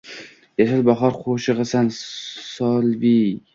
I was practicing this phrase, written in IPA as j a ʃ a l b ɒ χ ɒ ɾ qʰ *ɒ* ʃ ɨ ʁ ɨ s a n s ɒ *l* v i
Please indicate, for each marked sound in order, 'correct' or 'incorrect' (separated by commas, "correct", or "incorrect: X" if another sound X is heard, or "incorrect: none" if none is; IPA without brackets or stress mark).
incorrect: o, correct